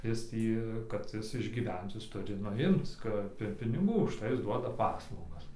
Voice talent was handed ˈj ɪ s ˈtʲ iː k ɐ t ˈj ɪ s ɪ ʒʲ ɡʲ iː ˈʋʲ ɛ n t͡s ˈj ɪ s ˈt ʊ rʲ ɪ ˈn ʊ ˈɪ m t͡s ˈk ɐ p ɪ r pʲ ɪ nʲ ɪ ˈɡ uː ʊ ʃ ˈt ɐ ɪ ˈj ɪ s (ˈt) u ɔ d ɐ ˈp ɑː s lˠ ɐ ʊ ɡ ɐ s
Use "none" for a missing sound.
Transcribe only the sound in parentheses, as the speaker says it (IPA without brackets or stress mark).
d